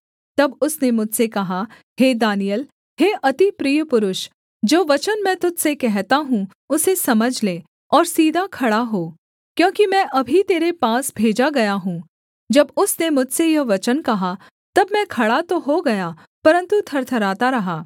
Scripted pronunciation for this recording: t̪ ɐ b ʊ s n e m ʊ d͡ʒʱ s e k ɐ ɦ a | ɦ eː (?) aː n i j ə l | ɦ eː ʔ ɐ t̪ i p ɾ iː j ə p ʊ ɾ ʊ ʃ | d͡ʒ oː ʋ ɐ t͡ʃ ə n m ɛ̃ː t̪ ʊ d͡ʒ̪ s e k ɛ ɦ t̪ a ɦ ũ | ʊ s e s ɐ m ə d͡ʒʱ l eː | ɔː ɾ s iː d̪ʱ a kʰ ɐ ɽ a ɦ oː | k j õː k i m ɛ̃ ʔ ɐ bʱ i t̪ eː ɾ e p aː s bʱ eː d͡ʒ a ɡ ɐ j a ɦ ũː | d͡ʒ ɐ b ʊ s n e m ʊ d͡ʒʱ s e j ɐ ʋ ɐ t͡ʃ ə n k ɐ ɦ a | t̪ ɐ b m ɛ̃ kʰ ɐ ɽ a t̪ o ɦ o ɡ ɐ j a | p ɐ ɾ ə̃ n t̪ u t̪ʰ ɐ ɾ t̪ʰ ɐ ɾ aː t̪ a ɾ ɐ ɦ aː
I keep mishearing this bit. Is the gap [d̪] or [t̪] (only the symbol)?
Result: d̪